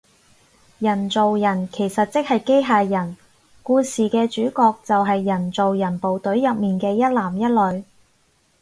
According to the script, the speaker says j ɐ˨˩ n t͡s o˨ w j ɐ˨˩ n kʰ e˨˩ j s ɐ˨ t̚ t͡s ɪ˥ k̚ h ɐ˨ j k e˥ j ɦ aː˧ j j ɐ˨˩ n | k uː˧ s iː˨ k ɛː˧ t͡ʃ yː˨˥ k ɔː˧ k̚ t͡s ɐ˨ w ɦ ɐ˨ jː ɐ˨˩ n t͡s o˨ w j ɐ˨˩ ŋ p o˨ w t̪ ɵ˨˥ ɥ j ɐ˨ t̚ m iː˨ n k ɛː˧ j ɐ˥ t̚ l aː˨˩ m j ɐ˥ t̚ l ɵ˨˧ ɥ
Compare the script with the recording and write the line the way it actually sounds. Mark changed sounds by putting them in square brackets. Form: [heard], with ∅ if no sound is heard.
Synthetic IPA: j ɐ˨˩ n t͡s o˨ w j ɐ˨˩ n kʰ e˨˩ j s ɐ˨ t̚ t͡s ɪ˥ k̚ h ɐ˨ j k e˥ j ɦ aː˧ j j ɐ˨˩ n | k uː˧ s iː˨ k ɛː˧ t͡ʃ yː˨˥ k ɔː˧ k̚ t͡s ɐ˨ w ɦ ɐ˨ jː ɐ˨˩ n t͡s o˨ w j ɐ˨˩ [n] p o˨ w t̪ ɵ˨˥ ɥ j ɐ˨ [p̚] m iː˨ n k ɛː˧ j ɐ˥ t̚ l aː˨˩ m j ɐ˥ t̚ l ɵ˨˧ ɥ